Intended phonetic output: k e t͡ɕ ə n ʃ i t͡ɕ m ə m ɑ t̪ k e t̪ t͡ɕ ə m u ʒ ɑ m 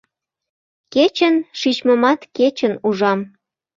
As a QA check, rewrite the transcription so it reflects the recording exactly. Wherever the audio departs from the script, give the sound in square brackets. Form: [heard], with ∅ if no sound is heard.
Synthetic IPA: k e t͡ɕ ə n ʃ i t͡ɕ m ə m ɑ t̪ k e [∅] t͡ɕ ə [n] u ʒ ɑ m